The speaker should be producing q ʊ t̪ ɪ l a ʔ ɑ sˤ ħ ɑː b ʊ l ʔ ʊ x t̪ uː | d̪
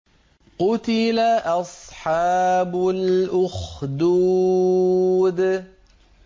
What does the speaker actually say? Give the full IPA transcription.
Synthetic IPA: q ʊ t̪ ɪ l a ʔ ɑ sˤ ħ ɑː b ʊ l ʔ ʊ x d̪ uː | d̪